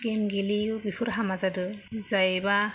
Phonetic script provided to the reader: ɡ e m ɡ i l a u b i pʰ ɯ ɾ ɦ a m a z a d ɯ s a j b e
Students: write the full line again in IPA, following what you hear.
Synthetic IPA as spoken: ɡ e m ɡ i l i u b i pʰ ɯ ɾ ɦ a m a z a d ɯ z a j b a